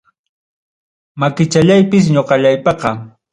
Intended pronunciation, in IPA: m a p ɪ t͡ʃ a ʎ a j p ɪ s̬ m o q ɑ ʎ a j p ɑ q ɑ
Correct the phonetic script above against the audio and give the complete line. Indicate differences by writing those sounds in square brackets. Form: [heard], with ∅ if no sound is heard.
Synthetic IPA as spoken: m a [k] ɪ t͡ʃ a ʎ a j p ɪ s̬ [ɲ] o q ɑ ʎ a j p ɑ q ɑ